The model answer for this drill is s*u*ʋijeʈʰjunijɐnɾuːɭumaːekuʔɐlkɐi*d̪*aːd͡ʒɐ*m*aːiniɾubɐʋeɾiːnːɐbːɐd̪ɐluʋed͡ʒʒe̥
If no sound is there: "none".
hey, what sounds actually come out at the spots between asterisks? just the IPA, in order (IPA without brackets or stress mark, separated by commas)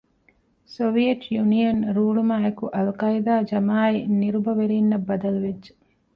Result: o, d̪, m